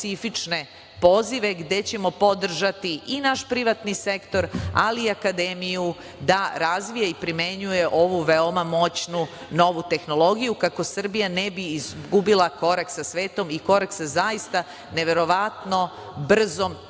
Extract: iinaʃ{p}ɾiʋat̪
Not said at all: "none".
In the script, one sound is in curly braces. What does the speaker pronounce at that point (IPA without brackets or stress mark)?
p